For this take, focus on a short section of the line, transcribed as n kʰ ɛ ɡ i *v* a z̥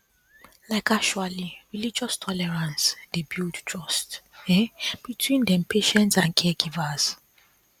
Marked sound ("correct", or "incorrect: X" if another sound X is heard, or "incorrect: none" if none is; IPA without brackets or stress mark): correct